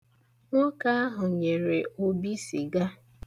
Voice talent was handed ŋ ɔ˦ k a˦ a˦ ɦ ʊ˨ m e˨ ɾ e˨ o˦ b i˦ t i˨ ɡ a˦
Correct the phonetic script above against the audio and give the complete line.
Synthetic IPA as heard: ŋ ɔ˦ k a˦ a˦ ɦ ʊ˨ ɲ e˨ ɾ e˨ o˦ b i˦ s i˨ ɡ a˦